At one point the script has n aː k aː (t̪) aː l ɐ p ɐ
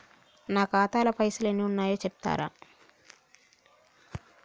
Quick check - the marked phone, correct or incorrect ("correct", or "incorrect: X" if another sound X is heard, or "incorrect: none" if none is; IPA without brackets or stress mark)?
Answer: correct